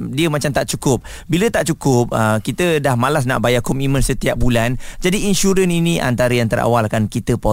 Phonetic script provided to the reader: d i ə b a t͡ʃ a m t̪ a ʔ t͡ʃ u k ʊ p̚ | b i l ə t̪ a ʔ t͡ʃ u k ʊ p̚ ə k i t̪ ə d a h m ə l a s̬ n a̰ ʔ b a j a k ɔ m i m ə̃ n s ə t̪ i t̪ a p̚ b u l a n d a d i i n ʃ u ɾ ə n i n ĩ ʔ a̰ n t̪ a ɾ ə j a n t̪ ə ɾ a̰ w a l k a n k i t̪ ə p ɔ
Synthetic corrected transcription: d i ə m a t͡ʃ a m t̪ a ʔ t͡ʃ u k ʊ p̚ | b i l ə t̪ a ʔ t͡ʃ u k ʊ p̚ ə k i t̪ ə d a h m a l a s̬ n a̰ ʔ b a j a k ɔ m i m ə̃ n s ə t̪ i a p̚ b u l a n d͡ʒ a d i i n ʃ u ɾ ə n i n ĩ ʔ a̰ n t̪ a ɾ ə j a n t̪ ə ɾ a̰ w a l k a n k i t̪ ə p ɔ